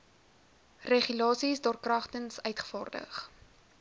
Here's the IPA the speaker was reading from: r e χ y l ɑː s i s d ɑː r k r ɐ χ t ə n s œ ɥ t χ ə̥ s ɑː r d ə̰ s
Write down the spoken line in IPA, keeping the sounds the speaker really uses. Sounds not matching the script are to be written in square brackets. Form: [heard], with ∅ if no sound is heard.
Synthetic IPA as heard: r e χ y l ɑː s i s d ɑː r k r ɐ χ t ə n s œ ɥ t χ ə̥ [f] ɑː r d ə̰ [χ]

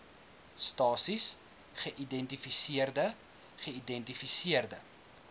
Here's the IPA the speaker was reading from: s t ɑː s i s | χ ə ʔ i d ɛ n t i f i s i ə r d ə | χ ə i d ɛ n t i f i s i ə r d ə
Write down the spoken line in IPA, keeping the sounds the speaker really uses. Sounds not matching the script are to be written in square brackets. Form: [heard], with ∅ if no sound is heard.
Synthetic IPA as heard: s t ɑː s i s | χ ə ʔ i d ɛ n t i f i s i ə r d ə | χ ə i d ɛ n t i f i s i ə r d ə

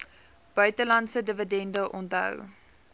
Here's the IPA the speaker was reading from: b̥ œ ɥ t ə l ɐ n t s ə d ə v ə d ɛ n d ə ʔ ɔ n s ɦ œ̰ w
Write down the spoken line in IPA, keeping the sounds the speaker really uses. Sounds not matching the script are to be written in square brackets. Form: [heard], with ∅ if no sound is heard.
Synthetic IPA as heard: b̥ œ ɥ t ə l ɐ n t s ə d ə v ə d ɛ n d ə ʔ ɔ n [t] ɦ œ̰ w

